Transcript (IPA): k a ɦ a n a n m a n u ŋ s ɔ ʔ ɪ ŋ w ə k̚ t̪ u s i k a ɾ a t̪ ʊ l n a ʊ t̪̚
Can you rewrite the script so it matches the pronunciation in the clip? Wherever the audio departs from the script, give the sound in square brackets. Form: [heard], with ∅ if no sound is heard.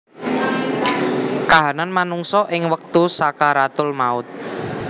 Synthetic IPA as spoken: k a ɦ a n a n m a n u ŋ s ɔ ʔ ɪ ŋ w ə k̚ t̪ u s [a] k a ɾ a t̪ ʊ l [m] a ʊ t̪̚